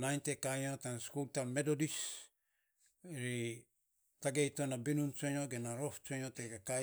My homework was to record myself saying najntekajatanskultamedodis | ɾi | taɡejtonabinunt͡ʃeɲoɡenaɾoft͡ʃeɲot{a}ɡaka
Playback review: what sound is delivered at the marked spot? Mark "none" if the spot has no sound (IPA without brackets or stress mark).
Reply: e